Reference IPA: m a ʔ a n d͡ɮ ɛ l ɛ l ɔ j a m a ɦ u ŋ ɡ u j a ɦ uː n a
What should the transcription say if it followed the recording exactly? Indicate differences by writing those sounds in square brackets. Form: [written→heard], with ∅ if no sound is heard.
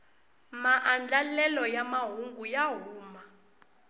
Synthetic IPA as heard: m a ʔ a n d͡ɮ [ɛ→a] l ɛ l ɔ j a m a ɦ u ŋ ɡ u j a ɦ uː [n→m] a